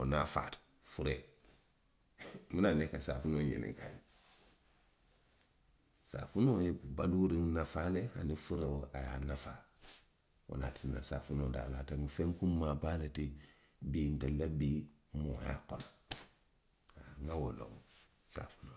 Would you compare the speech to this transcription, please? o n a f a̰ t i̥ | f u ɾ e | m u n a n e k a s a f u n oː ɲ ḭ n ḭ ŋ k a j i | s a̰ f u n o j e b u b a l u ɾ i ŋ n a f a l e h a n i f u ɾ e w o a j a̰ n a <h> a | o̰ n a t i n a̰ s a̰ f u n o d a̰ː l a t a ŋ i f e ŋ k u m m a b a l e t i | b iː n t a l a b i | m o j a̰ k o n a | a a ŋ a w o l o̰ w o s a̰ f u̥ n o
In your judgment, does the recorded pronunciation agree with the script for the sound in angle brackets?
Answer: no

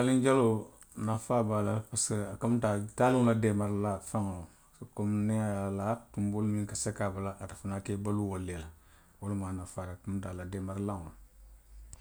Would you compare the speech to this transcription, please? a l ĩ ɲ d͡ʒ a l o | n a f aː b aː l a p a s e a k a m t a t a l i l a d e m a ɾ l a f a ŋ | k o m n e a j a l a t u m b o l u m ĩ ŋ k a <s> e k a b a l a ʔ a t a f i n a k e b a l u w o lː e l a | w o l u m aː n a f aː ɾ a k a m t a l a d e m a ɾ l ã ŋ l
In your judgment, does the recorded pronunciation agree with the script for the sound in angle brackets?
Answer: yes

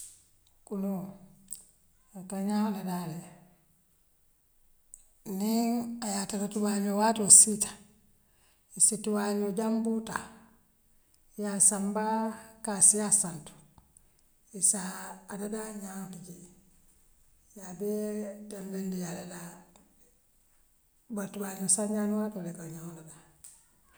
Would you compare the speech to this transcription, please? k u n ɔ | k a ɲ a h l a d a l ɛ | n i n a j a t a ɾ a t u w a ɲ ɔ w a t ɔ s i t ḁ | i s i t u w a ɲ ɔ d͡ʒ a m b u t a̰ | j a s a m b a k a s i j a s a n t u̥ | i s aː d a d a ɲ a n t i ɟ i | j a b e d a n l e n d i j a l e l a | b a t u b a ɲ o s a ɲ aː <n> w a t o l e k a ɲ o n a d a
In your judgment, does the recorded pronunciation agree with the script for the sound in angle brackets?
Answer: yes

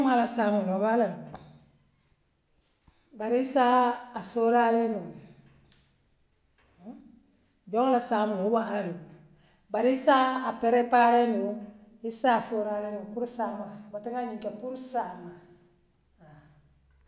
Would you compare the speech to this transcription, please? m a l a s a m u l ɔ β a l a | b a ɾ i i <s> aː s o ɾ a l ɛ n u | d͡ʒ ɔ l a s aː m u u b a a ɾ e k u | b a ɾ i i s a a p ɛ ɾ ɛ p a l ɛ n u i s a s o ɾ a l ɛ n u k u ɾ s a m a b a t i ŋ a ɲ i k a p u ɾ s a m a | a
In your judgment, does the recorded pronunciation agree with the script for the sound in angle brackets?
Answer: yes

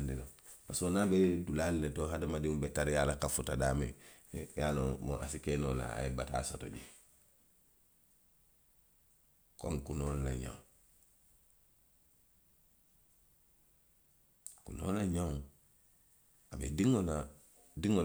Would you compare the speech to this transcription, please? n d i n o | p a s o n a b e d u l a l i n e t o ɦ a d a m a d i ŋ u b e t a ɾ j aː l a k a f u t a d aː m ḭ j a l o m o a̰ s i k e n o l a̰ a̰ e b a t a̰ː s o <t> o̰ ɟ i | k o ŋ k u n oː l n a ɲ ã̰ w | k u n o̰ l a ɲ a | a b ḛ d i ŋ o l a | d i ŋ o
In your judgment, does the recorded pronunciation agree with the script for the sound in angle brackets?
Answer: yes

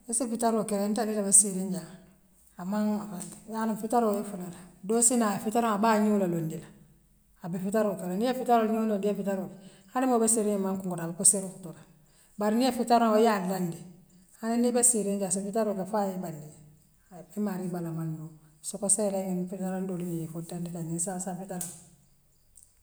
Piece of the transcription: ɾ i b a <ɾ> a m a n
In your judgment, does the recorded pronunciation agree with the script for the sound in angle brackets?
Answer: no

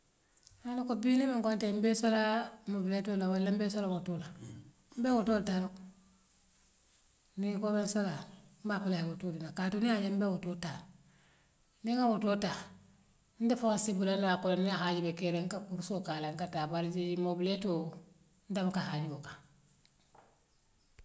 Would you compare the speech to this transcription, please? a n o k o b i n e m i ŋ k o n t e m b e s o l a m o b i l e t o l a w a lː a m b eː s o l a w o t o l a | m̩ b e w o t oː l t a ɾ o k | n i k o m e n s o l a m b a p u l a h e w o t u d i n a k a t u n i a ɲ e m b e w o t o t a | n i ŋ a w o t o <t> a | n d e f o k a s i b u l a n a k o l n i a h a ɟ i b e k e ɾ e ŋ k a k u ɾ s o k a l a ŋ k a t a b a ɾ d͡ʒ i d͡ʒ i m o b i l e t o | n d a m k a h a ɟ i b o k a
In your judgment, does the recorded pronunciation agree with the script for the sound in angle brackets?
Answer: yes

